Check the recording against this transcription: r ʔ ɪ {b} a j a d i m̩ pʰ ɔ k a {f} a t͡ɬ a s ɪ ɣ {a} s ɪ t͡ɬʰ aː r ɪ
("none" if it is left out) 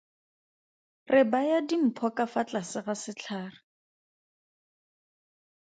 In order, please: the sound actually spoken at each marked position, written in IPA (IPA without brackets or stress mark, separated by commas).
b, f, a